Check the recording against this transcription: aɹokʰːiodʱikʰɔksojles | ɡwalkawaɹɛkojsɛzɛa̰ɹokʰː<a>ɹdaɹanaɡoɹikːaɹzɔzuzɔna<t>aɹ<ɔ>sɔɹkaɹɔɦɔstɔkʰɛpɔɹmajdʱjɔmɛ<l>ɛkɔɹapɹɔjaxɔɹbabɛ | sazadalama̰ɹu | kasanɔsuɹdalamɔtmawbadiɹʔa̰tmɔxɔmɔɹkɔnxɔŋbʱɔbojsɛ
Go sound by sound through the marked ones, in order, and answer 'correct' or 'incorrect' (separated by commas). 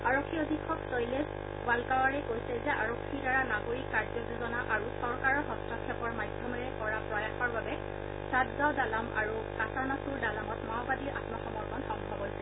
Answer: incorrect, incorrect, incorrect, incorrect